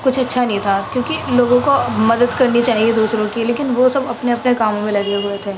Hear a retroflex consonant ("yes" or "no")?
no